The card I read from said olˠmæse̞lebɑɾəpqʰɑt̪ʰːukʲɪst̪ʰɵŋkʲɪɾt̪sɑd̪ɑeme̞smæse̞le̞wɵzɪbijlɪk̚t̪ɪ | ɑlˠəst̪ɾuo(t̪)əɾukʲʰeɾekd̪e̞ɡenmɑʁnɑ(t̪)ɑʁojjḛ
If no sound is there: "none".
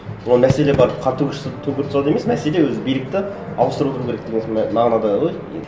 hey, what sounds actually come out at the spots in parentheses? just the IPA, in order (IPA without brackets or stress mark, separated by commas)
t̪, d̪